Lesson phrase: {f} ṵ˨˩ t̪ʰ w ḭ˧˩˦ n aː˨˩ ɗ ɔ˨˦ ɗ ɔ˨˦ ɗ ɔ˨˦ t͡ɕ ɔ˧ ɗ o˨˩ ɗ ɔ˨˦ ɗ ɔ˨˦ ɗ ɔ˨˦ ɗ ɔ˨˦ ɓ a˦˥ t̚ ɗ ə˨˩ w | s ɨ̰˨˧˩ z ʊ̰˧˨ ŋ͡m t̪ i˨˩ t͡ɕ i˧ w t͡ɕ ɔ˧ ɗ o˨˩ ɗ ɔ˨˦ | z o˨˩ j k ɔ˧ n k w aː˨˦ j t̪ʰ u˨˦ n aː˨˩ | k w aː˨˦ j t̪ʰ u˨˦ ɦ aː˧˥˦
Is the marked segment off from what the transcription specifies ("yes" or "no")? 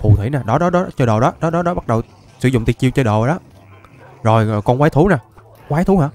no